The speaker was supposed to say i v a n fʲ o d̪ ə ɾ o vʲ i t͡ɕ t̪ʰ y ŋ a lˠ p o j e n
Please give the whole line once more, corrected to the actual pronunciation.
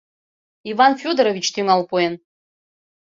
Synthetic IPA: i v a n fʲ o d̪ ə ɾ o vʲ i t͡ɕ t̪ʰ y ŋ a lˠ p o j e n